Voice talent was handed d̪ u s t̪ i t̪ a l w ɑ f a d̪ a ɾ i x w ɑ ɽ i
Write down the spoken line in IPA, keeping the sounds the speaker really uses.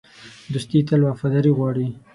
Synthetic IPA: d̪ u s t̪ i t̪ a l w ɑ f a d̪ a ɾ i ɣ w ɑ ɽ i